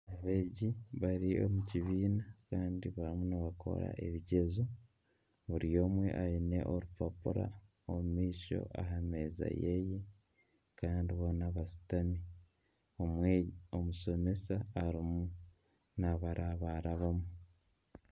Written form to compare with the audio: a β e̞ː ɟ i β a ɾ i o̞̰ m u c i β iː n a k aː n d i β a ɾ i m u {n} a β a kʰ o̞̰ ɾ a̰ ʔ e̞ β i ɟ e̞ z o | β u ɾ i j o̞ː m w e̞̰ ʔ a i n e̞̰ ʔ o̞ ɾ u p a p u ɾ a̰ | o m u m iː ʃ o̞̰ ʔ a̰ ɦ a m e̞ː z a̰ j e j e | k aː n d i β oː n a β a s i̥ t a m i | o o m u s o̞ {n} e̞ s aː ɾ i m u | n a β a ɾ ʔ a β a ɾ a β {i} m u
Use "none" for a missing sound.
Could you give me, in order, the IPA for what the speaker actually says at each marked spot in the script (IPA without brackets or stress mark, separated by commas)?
n, m, a